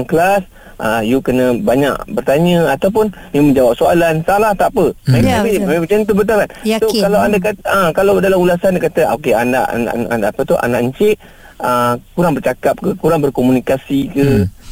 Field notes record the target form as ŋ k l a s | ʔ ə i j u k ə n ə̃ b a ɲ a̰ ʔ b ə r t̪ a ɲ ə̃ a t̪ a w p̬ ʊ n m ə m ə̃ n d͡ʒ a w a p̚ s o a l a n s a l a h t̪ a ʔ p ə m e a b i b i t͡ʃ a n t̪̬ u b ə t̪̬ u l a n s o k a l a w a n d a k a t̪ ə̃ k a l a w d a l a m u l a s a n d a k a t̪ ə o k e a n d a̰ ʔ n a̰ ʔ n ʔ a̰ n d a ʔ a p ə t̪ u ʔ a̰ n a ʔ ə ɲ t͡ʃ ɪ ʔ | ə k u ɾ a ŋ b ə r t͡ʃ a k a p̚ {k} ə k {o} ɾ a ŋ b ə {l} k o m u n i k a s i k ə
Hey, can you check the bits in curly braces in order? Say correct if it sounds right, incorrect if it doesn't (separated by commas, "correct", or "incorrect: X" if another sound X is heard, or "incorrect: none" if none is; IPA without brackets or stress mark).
correct, incorrect: u, incorrect: r